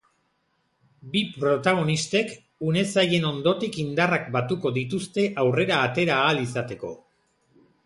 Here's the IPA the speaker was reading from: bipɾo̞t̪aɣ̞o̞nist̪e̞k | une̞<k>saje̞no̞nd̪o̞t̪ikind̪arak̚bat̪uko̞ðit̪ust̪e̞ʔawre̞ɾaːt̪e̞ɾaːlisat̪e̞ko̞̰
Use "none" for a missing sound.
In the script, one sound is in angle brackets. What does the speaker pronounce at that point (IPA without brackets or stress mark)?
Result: none